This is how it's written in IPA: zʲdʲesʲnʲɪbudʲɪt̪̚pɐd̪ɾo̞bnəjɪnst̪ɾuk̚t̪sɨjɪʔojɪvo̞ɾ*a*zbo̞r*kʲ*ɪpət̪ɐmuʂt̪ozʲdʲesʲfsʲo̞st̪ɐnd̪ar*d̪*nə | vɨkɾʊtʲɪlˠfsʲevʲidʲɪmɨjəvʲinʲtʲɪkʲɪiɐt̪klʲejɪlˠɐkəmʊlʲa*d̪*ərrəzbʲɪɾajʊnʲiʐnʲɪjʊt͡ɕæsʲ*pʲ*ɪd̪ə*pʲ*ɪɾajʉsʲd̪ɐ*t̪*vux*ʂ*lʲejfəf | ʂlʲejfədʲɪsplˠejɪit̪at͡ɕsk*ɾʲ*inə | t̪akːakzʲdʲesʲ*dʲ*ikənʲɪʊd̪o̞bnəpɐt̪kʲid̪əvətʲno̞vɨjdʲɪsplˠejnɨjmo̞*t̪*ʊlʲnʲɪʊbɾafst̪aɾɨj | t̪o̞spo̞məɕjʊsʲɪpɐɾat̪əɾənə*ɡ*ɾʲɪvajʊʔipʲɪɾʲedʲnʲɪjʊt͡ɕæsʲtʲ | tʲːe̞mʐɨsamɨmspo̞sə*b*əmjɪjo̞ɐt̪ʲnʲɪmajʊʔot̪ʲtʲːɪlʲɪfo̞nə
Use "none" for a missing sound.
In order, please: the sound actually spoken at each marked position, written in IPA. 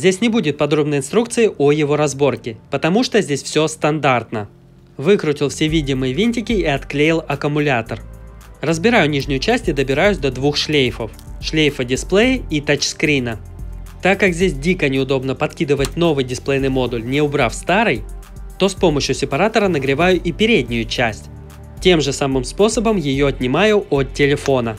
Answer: ɐ, kʲ, t̪, t̪, tʲ, bʲ, d̪, ʂ, ɾʲ, dʲ, d̪, ɡ, b

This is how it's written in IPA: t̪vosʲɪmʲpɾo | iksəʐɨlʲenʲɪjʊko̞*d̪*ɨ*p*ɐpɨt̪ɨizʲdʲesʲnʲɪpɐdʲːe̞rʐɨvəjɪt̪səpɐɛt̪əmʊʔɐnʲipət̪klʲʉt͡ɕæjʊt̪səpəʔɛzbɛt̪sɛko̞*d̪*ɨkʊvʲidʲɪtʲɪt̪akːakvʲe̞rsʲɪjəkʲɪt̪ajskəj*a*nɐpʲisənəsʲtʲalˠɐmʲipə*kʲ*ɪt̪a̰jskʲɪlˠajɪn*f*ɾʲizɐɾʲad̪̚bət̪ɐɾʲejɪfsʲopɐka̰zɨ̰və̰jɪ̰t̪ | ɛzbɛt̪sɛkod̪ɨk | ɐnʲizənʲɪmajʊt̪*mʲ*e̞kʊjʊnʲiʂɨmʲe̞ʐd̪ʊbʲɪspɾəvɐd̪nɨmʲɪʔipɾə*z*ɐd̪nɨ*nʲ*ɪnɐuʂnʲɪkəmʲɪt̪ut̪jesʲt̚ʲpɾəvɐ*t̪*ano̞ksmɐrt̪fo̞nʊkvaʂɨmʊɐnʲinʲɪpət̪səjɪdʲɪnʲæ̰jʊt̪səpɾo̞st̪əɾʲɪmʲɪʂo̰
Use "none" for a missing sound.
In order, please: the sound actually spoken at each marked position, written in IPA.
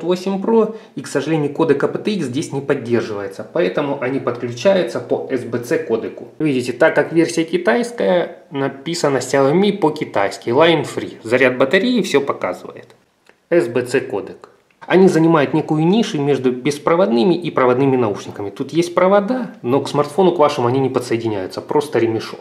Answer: d̪, k, d̪, ə, kʲ, f, nʲ, v, mʲ, d̪

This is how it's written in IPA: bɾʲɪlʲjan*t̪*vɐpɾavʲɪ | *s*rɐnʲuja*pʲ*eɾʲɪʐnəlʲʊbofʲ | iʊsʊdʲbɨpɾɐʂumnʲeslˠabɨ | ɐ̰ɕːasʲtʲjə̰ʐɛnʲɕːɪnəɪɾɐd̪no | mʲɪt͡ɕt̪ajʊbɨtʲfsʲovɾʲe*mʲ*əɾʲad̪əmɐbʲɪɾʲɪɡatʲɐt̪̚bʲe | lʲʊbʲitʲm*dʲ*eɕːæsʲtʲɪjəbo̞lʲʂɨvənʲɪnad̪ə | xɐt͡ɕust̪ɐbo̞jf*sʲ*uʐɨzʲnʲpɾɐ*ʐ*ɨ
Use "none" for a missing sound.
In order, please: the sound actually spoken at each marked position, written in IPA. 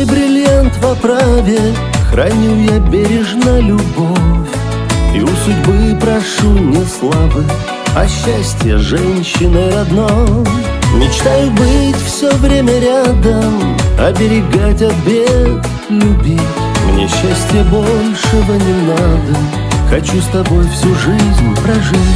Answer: t̪, x, bʲ, mʲ, nʲ, sʲ, ʐ

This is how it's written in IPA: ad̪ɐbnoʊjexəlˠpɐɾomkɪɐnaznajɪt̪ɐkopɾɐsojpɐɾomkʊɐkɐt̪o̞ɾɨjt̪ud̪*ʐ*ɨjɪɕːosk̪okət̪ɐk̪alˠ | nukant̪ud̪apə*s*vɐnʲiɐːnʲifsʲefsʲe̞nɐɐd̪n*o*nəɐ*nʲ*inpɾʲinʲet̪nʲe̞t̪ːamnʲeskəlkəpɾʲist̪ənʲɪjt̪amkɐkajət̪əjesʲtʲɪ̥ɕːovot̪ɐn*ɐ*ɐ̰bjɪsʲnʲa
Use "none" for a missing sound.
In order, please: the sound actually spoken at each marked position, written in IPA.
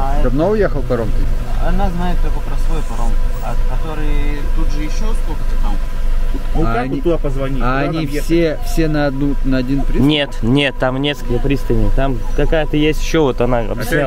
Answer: ʐ, z, u, dʲ, a

